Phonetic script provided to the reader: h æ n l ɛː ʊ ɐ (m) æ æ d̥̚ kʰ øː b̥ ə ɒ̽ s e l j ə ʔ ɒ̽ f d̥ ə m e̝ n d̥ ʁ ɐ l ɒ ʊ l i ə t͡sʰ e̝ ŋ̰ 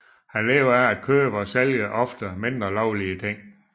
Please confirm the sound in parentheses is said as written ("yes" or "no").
no